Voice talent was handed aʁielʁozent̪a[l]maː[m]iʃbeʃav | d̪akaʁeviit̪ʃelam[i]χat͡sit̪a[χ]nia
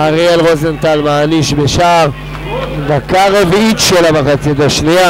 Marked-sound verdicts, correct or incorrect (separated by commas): correct, incorrect, incorrect, incorrect